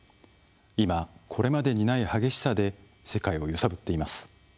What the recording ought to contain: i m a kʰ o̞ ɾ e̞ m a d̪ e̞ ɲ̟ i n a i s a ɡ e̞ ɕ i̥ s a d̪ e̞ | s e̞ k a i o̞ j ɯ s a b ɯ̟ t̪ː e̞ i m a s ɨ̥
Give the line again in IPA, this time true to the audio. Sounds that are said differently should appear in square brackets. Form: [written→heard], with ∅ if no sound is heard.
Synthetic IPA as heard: i m a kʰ o̞ ɾ e̞ m a d̪ e̞ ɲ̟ i n a i [s→h] a ɡ e̞ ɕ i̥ s a d̪ e̞ | s e̞ k a i o̞ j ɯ s a b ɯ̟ t̪ː e̞ i m a s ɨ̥